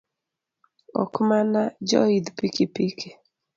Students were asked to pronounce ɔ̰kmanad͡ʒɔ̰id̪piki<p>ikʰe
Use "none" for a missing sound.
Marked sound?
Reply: p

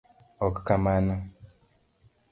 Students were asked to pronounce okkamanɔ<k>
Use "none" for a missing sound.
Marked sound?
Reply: none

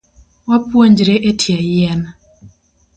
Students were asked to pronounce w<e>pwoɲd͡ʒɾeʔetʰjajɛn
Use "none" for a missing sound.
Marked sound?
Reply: a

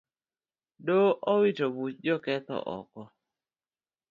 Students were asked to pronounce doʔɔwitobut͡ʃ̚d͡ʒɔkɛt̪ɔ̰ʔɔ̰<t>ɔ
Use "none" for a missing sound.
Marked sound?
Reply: k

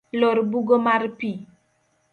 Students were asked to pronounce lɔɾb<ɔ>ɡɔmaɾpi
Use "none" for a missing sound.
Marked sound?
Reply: u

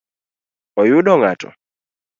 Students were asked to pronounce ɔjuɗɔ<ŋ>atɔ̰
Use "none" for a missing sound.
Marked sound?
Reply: ŋ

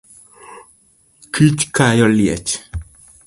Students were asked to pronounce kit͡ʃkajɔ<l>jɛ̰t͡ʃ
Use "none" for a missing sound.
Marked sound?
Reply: l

